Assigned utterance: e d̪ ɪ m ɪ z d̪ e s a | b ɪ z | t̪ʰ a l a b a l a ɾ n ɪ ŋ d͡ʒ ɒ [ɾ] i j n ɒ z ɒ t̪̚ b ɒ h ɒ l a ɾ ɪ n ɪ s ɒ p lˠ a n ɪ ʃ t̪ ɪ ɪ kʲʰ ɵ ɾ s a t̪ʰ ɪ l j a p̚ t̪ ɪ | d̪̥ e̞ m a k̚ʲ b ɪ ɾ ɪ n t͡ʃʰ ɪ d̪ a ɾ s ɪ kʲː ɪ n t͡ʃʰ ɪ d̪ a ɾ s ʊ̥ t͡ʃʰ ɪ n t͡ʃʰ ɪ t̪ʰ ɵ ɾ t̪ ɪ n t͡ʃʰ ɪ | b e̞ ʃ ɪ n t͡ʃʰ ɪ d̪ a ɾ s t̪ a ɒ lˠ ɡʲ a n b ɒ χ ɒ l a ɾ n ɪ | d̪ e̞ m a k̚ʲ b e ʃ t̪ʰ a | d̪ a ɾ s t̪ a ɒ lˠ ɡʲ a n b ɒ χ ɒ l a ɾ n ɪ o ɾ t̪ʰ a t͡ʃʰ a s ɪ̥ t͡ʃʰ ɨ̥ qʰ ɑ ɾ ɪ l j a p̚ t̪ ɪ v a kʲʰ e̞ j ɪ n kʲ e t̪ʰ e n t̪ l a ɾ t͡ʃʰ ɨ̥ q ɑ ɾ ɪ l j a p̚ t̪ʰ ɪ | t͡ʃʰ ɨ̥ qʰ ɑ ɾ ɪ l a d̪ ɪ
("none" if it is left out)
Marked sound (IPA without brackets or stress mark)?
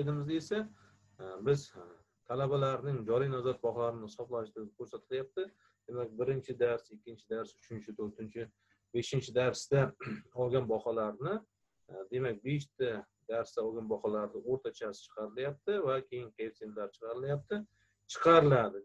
ɾ